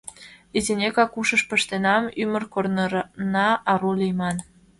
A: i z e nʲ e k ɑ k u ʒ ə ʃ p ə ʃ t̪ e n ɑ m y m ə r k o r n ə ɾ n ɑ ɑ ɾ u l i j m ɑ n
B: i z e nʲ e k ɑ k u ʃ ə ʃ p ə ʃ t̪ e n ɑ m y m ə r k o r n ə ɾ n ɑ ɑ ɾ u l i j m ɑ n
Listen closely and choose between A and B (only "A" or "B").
B